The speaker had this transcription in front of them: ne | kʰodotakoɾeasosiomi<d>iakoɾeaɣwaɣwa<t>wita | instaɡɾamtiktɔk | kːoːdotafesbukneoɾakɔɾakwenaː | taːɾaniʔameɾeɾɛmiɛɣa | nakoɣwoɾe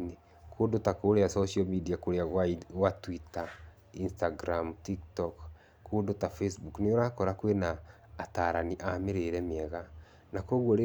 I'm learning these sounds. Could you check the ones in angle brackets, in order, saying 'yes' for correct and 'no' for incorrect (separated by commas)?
yes, yes